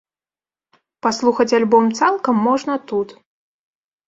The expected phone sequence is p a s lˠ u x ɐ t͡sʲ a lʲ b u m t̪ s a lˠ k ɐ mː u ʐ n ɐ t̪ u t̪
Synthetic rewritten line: p a s lˠ u x ɐ t͡sʲ a lʲ b ɔ m t̪ s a lˠ k ɐ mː ɔ ʐ n ɐ t̪ u t̪